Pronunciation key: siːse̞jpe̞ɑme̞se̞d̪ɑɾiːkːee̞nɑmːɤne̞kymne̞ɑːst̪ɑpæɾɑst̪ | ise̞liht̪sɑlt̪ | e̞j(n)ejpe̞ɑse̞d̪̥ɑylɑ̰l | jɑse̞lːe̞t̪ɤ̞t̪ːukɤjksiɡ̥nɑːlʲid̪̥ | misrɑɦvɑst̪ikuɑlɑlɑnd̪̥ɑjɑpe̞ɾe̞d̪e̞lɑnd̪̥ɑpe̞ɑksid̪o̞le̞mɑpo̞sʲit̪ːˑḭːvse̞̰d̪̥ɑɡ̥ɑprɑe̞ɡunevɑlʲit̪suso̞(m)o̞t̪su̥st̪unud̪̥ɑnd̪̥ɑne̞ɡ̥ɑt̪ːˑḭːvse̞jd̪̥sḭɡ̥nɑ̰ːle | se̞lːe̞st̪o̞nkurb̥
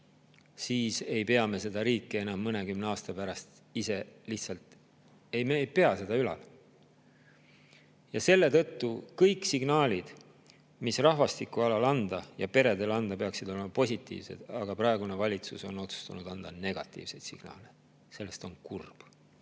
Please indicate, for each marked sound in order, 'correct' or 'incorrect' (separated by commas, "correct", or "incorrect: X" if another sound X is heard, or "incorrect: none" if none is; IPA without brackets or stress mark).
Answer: incorrect: m, incorrect: n